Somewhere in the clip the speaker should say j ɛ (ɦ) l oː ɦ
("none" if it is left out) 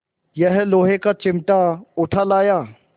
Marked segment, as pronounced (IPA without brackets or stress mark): ɦ